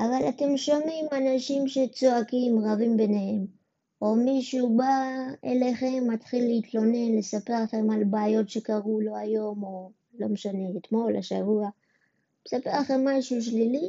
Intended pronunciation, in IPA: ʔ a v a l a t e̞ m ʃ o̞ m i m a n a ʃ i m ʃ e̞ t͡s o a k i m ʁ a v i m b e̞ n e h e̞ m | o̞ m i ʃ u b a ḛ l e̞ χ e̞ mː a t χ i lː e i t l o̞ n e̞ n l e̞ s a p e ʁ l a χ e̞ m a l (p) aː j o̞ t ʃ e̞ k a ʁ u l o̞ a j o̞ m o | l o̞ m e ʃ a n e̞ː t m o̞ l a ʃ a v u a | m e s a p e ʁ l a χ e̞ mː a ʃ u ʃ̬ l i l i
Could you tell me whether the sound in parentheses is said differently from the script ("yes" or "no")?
yes